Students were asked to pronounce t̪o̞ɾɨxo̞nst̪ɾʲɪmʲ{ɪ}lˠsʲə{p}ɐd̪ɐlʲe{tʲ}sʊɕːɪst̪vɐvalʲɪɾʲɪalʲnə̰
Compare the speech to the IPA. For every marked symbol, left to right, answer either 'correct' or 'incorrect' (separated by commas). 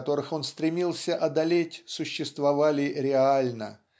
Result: incorrect, incorrect, correct